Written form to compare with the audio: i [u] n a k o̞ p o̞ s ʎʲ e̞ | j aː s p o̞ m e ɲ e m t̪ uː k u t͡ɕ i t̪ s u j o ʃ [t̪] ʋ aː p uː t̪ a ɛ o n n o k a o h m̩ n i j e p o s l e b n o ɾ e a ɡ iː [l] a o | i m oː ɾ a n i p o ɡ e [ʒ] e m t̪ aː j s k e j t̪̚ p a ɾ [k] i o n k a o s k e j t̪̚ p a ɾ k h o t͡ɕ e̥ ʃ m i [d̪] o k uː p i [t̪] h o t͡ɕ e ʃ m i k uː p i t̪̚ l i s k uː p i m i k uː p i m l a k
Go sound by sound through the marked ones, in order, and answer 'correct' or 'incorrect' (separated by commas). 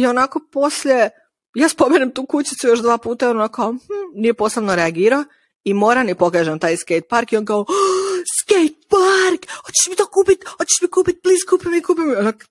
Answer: incorrect, incorrect, incorrect, correct, correct, incorrect, correct